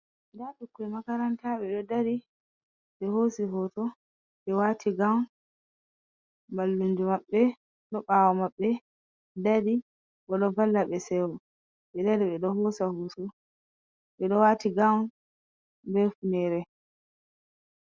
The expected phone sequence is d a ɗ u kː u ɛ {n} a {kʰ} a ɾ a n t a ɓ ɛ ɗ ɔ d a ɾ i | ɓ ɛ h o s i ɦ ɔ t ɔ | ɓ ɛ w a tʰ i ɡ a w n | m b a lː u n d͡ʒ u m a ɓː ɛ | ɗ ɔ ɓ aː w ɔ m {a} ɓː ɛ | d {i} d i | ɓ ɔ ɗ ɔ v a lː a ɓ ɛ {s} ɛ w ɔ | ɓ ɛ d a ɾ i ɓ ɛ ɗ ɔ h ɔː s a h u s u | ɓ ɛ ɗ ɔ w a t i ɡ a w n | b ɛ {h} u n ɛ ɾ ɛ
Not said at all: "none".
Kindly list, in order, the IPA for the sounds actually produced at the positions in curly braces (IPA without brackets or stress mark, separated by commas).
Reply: m, k, a, a, s, f